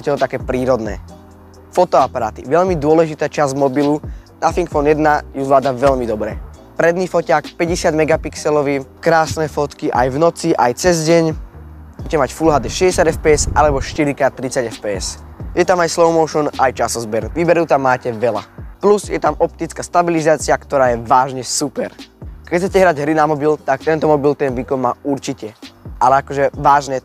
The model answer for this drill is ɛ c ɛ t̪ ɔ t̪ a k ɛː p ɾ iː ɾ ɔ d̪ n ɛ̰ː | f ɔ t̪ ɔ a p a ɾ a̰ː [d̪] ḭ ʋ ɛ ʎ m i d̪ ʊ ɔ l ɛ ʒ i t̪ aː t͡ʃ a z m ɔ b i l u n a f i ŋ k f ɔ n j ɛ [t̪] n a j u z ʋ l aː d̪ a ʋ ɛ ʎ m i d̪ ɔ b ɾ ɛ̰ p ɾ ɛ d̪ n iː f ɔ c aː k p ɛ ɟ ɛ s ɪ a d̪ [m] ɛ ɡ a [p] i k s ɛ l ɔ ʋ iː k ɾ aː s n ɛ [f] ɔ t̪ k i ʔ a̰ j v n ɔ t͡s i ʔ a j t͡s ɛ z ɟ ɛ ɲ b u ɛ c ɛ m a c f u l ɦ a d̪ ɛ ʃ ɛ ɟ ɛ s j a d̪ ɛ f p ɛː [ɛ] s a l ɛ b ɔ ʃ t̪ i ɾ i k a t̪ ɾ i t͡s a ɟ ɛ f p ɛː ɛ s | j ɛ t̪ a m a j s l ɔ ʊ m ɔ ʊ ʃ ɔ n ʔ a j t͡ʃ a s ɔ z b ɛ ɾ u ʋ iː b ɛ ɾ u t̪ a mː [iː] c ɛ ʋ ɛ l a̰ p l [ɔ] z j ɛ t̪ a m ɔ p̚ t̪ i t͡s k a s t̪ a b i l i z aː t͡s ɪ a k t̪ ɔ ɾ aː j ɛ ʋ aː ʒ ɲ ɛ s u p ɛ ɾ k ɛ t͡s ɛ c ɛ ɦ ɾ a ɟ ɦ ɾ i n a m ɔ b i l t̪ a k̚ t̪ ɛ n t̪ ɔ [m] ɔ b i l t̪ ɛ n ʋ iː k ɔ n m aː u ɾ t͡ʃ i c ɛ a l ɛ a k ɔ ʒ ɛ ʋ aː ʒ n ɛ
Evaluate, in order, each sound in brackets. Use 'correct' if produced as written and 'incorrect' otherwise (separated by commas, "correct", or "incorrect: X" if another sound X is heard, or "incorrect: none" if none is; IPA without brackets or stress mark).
incorrect: t̪, incorrect: d̪, correct, correct, correct, correct, incorrect: aː, incorrect: u, correct